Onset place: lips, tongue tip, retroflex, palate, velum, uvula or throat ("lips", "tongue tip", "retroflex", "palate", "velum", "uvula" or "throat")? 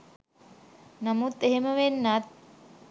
tongue tip